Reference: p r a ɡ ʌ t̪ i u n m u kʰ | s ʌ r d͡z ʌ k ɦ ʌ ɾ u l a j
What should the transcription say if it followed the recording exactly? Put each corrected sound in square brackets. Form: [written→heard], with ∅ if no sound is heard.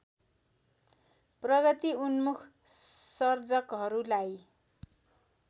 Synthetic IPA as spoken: p r [a→ʌ] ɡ ʌ t̪ i u n m u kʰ | s ʌ r d͡z ʌ k ɦ ʌ ɾ u l a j